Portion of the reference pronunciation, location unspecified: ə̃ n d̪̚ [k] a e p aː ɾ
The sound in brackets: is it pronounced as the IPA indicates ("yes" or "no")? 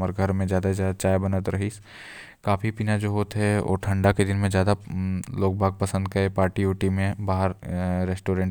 yes